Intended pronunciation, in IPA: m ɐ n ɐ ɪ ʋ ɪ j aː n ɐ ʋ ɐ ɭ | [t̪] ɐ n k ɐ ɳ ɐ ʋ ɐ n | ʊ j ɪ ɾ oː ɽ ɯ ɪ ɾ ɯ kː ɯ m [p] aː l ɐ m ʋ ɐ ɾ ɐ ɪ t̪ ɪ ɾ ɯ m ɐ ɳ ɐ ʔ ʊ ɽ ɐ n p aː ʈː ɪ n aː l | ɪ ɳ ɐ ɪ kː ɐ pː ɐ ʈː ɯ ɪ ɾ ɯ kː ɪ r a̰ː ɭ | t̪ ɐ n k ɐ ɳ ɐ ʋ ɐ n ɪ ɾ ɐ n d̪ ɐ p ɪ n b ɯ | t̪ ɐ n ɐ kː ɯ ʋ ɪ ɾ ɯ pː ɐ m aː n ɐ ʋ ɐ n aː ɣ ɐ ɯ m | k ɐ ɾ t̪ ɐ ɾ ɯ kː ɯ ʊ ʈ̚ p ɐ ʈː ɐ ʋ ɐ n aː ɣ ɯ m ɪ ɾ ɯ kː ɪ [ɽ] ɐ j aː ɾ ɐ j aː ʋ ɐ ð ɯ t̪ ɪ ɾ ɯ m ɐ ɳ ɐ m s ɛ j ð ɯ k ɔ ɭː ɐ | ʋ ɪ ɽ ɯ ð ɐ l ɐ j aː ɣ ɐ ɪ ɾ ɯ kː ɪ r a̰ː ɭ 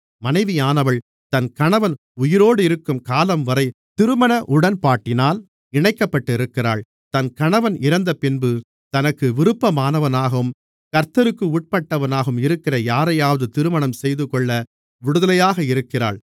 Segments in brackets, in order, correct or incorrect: correct, incorrect: k, incorrect: r

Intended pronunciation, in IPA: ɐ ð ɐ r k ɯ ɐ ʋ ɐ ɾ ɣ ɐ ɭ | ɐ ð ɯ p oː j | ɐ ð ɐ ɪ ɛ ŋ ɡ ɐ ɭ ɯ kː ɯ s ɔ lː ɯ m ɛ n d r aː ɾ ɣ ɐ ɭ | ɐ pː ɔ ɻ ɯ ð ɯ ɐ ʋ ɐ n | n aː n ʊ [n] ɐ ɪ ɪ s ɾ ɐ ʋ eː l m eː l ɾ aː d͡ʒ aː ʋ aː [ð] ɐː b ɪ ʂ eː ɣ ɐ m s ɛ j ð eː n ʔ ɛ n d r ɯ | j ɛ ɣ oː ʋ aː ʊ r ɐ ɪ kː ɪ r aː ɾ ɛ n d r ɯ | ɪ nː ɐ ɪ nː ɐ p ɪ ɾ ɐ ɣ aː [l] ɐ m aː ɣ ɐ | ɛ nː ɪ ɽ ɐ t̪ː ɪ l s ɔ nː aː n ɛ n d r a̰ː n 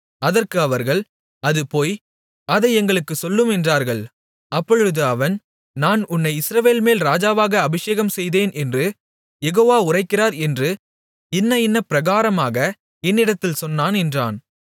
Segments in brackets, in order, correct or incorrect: incorrect: nː, incorrect: ɣ, incorrect: ɾ

